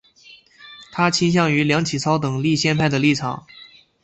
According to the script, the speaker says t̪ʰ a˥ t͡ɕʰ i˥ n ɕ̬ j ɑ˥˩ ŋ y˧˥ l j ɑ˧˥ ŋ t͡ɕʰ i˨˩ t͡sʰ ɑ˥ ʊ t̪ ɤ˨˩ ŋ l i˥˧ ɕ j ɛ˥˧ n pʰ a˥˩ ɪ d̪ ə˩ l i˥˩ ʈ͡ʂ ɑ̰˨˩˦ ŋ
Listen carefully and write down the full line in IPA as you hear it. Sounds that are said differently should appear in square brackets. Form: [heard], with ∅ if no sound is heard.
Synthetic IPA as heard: t̪ʰ a˥ t͡ɕʰ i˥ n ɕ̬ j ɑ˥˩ ŋ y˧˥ l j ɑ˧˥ ŋ t͡ɕʰ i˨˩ t͡sʰ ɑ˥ ʊ t̪ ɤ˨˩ ŋ l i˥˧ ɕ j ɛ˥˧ n pʰ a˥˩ ɪ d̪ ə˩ l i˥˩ [ʈ͡ʂʰ] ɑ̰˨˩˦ ŋ